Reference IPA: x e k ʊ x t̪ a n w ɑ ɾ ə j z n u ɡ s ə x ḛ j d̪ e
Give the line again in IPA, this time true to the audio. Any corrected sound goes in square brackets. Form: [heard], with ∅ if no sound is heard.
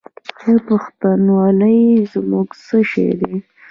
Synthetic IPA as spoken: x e [p] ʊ x t̪ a n w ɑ [l] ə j z [m] u ɡ s ə [ʃ] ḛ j d̪ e